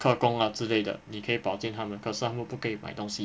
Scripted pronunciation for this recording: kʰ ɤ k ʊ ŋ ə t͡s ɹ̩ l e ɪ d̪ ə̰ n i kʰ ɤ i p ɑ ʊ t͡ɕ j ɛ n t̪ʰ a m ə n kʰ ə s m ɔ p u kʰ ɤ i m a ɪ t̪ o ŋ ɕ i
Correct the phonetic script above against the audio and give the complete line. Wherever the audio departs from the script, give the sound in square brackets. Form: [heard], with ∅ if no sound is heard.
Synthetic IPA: kʰ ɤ k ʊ ŋ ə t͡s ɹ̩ l e ɪ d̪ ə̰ n i kʰ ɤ i p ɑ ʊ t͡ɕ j ɛ n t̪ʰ a m ə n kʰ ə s m [u] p u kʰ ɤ i m a ɪ t̪ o ŋ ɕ i